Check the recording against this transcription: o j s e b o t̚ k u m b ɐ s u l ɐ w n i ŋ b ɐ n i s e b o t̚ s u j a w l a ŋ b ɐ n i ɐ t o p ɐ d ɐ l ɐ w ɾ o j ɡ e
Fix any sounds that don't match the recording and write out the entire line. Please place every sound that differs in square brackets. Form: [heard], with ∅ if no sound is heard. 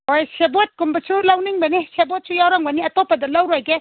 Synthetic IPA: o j s e b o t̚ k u m b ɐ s u l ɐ w n i ŋ b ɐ n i s e b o t̚ s u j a w [ɾ] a ŋ b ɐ n i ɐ t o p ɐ d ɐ l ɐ w ɾ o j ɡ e